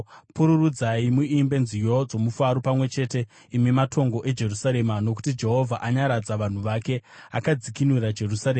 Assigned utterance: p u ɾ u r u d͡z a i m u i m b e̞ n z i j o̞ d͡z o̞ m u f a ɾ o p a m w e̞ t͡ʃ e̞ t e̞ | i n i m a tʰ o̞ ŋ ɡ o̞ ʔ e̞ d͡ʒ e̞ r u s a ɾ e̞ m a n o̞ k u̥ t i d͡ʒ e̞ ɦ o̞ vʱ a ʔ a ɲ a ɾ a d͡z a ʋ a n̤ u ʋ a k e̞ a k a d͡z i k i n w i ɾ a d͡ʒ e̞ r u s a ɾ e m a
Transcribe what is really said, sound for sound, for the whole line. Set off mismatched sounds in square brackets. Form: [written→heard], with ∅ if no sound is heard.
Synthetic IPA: p u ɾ u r u d͡z a i m u i m b e̞ n z i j o̞ d͡z o̞ m u f a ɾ o p a m w e̞ t͡ʃ e̞ t e̞ | i [n→m] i m a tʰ o̞ ŋ ɡ o̞ ʔ e̞ d͡ʒ e̞ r u s a ɾ e̞ m a n o̞ k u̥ t i d͡ʒ e̞ ɦ o̞ vʱ a ʔ a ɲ a ɾ a d͡z a ʋ a n̤ u ʋ a k e̞ a k a d͡z i k i n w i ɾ a d͡ʒ e̞ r u s a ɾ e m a

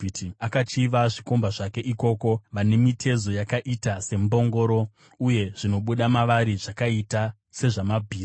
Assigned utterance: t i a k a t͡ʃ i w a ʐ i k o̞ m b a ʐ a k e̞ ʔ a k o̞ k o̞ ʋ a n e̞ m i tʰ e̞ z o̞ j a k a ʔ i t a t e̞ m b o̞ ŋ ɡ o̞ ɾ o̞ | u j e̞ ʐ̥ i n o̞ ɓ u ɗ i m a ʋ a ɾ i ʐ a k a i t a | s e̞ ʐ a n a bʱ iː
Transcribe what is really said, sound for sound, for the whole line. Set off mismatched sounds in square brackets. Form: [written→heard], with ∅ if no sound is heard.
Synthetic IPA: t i a k a t͡ʃ i [w→ʋ] a ʐ i k o̞ m b a ʐ a k e̞ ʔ [a→i] k o̞ k o̞ ʋ a n e̞ m i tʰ e̞ z o̞ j a k a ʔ i t a [t→s] e̞ m b o̞ ŋ ɡ o̞ ɾ o̞ | u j e̞ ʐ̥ i n o̞ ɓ u ɗ [i→a] m a ʋ a ɾ i ʐ a k a i t a | s e̞ ʐ a [n→m] a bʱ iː

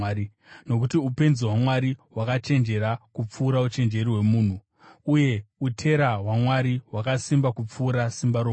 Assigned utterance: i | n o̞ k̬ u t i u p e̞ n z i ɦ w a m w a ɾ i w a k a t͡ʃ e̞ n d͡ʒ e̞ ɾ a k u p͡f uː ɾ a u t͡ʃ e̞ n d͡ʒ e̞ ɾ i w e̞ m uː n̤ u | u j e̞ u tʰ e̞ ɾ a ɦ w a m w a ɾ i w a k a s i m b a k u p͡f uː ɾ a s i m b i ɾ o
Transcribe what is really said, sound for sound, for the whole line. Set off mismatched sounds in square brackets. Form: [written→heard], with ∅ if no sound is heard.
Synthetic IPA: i | n o̞ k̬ u t i u p e̞ n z i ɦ w a m w a ɾ i w a k a t͡ʃ e̞ n d͡ʒ e̞ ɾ a k u p͡f uː ɾ a u t͡ʃ e̞ n d͡ʒ e̞ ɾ i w e̞ m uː n̤ u | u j e̞ u tʰ e̞ ɾ a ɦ w a m w a ɾ i w a k a s i m b a k u p͡f uː ɾ a s i m b [i→a] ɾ o

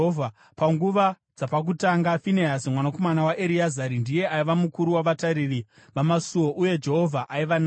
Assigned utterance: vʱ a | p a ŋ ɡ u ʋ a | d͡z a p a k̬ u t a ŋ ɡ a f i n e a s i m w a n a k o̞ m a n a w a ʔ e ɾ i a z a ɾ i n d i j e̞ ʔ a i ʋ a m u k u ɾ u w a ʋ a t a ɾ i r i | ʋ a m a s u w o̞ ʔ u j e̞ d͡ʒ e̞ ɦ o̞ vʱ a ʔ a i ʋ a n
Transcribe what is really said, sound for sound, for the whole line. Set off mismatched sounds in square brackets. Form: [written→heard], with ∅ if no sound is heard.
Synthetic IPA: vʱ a | p a ŋ ɡ u ʋ a | d͡z a p a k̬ u t a ŋ ɡ a f i n e a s i m w a n a k o̞ m a n a w a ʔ e ɾ i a z a ɾ i n d i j e̞ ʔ a i ʋ a m u k u ɾ u w a ʋ a t a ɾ i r i | ʋ a m a s u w o̞ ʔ u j e̞ d͡ʒ e̞ ɦ o̞ vʱ a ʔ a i ʋ a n

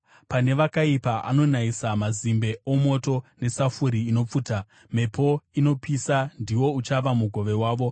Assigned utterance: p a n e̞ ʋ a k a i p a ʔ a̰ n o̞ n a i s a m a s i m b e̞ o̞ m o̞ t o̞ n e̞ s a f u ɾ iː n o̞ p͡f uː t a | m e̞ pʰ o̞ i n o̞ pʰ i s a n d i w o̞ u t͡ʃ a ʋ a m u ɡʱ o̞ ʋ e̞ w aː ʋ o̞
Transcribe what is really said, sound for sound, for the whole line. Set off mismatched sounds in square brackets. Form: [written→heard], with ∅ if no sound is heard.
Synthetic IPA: p a n e̞ ʋ a k a i p a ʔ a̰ n o̞ n a i s a m a [s→z] i m b e̞ o̞ m o̞ t o̞ n e̞ s a f u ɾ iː n o̞ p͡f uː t a | m e̞ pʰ o̞ i n o̞ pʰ i s a n d i w o̞ u t͡ʃ a ʋ a m u ɡʱ o̞ ʋ e̞ w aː ʋ o̞

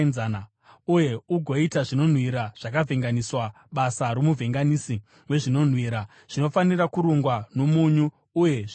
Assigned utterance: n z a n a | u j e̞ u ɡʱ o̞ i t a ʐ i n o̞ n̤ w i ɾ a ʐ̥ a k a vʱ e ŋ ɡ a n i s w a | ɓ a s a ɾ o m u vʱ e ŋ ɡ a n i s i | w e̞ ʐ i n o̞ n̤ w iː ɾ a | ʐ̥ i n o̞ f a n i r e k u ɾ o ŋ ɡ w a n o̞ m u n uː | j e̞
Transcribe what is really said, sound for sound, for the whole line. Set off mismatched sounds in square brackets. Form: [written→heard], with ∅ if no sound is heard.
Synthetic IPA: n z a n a | u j e̞ u ɡʱ o̞ i t a ʐ i n o̞ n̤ w i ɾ a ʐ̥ a k a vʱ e ŋ ɡ a n i s w a | ɓ a s a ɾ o m u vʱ e ŋ ɡ a n i s i | w e̞ ʐ i n o̞ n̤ w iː ɾ a | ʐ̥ i n o̞ f a n i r [e→a] k u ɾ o ŋ ɡ w a n o̞ m u [n→ɲ] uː | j e̞

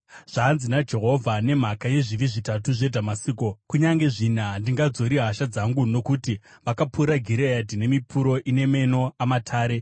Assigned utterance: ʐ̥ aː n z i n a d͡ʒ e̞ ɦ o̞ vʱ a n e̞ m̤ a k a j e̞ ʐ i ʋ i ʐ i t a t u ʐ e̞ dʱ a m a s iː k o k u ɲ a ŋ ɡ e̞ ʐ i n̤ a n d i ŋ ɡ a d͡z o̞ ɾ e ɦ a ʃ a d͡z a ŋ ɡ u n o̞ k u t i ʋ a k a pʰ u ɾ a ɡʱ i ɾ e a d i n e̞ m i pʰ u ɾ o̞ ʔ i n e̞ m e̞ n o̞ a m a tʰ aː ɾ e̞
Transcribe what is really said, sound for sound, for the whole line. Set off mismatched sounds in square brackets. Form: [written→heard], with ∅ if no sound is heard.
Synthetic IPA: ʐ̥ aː n z i n a d͡ʒ e̞ ɦ o̞ vʱ a n e̞ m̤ a k a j e̞ ʐ i ʋ i ʐ i t a t u ʐ e̞ dʱ a m a s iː k o k u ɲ a ŋ ɡ e̞ ʐ i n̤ a n d i ŋ ɡ a d͡z o̞ ɾ [e→i] ɦ a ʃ a d͡z a ŋ ɡ u n o̞ k u t i ʋ a k a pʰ u ɾ a ɡʱ i ɾ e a d i n e̞ m i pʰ u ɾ o̞ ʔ i n e̞ m e̞ n o̞ a m a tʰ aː ɾ e̞

